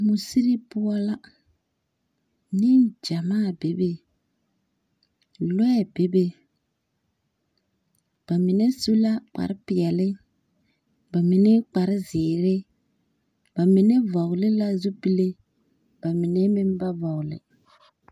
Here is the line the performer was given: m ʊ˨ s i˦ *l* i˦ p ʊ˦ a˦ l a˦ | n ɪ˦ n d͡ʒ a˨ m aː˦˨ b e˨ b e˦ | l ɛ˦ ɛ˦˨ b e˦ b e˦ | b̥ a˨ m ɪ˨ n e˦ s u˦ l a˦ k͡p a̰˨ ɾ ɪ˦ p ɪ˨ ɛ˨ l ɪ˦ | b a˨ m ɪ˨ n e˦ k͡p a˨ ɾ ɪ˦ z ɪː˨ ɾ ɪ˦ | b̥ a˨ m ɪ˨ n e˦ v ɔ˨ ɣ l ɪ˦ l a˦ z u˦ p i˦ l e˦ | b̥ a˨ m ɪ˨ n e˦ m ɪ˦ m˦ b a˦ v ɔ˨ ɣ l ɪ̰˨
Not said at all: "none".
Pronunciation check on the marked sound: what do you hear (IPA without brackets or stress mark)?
ɾ